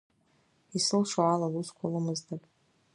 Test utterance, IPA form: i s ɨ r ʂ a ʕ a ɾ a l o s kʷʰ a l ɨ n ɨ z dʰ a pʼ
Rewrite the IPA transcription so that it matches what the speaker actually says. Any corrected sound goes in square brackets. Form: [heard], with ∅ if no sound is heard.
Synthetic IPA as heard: i s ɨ [l] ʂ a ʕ a [l] a l [u] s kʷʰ a l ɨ [m] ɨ z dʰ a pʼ

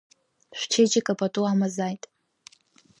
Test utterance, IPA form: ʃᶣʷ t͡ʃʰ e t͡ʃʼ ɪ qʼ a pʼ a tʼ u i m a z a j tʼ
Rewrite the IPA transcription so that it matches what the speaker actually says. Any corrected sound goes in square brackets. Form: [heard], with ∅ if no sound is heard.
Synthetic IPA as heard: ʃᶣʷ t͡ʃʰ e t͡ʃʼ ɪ [kʼ] a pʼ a tʼ u [a] m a z a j tʼ

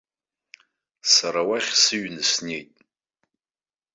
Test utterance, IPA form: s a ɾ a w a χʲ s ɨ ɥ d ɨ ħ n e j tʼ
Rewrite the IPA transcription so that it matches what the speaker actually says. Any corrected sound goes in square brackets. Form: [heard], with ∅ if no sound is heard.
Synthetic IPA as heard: s a ɾ a w a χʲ s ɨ ɥ [n] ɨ [s] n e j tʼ

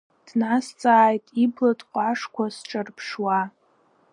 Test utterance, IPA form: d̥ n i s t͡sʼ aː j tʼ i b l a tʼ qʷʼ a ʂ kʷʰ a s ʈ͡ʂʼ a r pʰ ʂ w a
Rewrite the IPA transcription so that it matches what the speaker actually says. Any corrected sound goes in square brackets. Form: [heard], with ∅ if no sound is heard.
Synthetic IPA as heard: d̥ n [a] s t͡sʼ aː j tʼ i b l a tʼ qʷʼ a ʂ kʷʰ a s ʈ͡ʂʼ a r pʰ ʂ w a

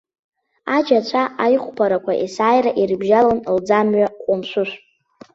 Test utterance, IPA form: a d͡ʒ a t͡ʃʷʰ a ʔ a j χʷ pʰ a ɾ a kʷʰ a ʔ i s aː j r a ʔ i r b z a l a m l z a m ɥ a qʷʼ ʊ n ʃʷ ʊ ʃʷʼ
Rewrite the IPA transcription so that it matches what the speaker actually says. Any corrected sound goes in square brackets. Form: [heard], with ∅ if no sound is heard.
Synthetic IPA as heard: a d͡ʒ a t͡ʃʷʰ a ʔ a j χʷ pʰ a ɾ a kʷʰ a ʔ i s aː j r a ʔ i r b [ʒ] a l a [n] l [d͡z] a m ɥ a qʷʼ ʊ [m] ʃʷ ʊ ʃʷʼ

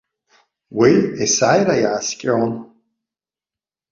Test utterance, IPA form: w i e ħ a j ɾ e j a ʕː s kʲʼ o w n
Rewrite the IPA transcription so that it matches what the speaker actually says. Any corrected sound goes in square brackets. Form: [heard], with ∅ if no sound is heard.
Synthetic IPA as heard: w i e [s] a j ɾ [a] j a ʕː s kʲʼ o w n

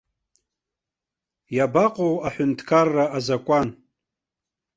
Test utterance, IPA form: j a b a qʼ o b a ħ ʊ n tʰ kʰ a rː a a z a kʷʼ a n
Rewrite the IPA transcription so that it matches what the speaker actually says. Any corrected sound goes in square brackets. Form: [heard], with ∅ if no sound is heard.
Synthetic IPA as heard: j a b a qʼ o [w] a ħ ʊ n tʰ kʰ a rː a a z a kʷʼ a n

